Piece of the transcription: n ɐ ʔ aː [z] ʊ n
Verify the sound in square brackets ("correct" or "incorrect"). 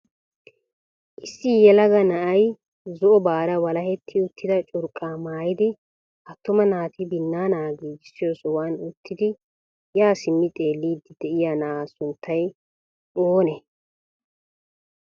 incorrect